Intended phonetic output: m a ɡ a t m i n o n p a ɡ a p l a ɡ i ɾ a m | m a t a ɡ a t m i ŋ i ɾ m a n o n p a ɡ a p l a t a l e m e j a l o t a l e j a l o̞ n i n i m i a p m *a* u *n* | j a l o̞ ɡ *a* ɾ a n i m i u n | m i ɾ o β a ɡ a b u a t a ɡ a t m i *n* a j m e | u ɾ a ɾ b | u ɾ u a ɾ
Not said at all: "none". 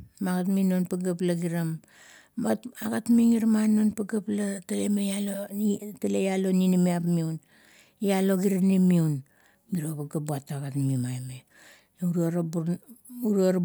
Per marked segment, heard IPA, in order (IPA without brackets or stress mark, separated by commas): i, n, i, m